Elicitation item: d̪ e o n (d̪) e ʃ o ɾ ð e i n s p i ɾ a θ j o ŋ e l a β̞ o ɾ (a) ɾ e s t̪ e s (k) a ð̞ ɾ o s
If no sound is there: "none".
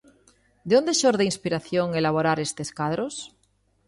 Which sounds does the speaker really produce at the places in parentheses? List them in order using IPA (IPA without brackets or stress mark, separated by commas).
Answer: d̪, a, k